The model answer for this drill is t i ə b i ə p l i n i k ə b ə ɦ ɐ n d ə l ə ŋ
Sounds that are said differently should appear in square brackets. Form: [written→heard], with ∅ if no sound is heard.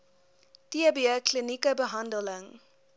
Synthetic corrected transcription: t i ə b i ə [p→k] l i n i k ə b ə ɦ ɐ n d ə l ə ŋ